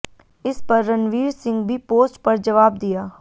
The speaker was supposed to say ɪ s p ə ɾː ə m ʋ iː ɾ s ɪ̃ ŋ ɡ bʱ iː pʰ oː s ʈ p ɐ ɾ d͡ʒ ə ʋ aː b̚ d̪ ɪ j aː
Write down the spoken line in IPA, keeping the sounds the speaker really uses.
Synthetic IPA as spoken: ɪ s p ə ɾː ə n ʋ iː ɾ s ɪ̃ ŋ ɡ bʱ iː p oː s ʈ p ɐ ɾ d͡ʒ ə ʋ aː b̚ d̪ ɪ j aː